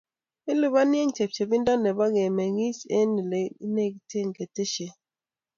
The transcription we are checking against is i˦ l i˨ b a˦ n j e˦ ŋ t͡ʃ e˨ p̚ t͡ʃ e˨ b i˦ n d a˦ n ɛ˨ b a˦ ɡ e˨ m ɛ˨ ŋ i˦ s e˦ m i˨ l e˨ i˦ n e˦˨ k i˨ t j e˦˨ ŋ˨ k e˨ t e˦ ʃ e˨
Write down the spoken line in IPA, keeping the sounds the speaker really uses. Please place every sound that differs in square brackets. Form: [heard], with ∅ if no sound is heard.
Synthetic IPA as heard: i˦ l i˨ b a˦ n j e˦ ŋ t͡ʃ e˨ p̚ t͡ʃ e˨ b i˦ n d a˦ n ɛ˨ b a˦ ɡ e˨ m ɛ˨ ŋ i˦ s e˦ [n] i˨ l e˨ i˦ n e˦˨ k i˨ t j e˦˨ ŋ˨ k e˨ t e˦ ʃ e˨